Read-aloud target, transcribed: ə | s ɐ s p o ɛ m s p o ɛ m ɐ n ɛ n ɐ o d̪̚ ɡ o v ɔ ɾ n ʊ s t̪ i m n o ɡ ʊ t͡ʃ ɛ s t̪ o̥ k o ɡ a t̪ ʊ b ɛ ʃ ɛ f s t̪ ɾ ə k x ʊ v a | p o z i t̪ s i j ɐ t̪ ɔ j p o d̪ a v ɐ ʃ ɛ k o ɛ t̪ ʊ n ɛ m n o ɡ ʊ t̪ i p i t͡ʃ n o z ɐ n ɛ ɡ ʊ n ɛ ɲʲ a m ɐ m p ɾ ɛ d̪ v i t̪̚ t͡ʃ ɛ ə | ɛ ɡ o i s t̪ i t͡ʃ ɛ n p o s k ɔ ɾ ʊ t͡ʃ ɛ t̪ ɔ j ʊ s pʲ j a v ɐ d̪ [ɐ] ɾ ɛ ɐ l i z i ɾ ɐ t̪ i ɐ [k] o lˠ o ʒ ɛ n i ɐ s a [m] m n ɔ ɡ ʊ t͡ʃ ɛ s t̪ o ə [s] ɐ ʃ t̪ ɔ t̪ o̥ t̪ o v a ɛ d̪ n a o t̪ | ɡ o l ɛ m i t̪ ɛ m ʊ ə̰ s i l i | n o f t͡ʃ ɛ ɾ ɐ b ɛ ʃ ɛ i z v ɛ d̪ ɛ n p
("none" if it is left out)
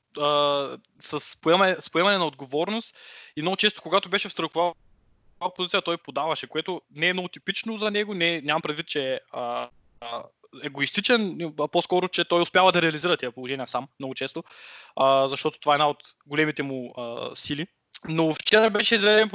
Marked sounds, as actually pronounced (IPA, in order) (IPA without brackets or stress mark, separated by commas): ɐ, p, m, z